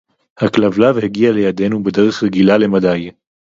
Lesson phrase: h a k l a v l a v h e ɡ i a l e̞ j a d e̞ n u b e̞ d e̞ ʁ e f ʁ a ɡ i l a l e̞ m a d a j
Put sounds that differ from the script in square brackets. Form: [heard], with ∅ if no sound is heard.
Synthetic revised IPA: h a k l a v l a v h e ɡ i a l e̞ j a d e̞ n u b e̞ d e̞ ʁ e [χ] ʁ [e] ɡ i l a l e̞ m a d a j